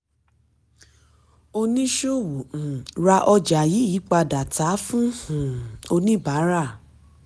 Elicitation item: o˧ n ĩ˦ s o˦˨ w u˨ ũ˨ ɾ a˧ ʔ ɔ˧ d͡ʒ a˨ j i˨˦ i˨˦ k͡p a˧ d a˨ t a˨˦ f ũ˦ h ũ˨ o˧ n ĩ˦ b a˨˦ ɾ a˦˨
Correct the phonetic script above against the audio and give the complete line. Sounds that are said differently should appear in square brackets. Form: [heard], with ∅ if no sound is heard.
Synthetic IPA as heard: o˧ n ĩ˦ [ʃ] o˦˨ w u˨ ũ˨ ɾ a˧ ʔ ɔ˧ d͡ʒ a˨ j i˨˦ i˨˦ k͡p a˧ d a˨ t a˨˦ f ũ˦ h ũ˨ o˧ n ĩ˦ b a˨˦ ɾ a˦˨